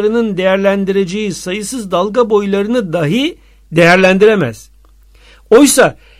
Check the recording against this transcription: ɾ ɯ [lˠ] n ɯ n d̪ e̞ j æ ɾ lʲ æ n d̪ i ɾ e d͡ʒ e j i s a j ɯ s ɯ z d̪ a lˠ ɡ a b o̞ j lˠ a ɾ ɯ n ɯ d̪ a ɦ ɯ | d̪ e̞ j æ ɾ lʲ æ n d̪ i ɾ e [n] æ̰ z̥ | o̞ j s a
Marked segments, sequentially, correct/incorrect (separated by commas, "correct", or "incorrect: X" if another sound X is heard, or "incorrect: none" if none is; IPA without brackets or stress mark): incorrect: none, incorrect: m